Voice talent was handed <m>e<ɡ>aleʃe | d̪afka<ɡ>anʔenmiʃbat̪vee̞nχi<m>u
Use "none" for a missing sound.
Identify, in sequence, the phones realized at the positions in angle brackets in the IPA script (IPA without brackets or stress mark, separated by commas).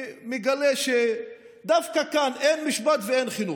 m, ɡ, k, n